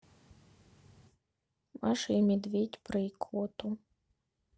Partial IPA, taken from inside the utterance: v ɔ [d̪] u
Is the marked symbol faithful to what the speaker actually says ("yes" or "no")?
no